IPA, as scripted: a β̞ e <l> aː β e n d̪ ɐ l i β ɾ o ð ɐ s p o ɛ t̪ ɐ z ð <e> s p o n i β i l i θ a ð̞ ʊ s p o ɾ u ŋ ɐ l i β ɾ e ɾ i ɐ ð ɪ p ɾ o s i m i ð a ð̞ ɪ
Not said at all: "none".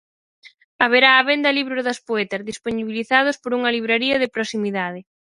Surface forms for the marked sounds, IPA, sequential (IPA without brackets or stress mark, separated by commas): ɾ, i